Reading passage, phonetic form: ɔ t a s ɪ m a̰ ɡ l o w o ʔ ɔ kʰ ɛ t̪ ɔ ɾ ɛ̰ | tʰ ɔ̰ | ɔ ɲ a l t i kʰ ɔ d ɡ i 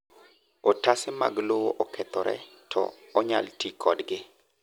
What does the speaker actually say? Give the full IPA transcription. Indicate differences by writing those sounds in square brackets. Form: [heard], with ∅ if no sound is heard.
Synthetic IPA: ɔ t a s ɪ m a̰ ɡ l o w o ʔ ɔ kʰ ɛ t̪ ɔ ɾ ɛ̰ | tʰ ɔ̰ | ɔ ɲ a l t i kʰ ɔ d ɡ [ɪ]